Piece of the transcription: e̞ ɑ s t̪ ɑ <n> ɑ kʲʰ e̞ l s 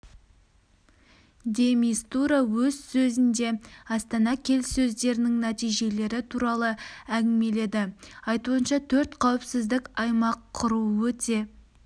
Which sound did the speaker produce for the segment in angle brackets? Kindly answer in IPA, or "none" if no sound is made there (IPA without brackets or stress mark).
n